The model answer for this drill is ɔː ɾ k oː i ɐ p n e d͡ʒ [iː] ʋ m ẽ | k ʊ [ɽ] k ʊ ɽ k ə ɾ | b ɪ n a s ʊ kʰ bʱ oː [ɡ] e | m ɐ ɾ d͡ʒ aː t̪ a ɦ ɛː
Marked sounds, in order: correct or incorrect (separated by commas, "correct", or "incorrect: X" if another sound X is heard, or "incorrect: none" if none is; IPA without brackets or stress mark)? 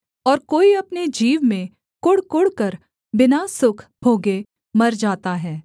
correct, correct, correct